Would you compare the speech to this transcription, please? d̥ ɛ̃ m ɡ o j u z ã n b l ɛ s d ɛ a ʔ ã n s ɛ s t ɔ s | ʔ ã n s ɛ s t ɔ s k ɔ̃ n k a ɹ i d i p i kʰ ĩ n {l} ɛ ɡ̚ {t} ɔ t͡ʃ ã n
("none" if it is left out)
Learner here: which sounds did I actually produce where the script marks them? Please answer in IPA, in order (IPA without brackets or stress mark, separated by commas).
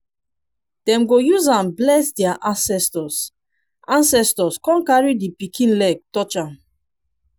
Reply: l, t